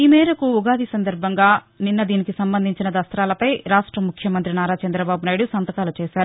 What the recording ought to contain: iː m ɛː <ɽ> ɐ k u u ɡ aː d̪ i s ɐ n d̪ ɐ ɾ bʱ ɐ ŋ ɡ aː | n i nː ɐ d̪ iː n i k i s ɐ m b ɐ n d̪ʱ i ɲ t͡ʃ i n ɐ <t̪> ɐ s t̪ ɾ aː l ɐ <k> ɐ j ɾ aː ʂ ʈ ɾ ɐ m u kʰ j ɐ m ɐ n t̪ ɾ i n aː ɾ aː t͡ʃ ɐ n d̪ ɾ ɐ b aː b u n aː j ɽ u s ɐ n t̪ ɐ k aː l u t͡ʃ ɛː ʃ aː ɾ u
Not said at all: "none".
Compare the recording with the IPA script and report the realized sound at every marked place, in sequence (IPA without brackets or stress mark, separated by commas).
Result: ɾ, d̪, p